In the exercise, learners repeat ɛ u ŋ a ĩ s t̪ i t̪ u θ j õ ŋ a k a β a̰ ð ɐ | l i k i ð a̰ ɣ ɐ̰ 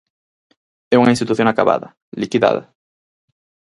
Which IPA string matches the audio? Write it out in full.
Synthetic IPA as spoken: ɛ u ŋ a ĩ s t̪ i t̪ u θ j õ ŋ a k a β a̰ ð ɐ | l i k i ð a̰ ð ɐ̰